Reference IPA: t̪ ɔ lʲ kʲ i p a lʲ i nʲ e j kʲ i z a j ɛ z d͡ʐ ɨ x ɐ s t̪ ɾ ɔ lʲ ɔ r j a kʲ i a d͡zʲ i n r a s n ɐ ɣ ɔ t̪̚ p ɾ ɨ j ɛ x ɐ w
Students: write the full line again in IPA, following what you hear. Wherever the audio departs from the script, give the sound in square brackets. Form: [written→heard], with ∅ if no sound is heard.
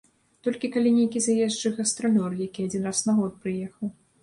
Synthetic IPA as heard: t̪ ɔ lʲ kʲ i [p→k] a lʲ i nʲ e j kʲ i z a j ɛ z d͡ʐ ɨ [x→ɣ] ɐ s t̪ ɾ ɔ lʲ ɔ r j a kʲ i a d͡zʲ i n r a s n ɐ ɣ ɔ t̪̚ p ɾ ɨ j ɛ x ɐ w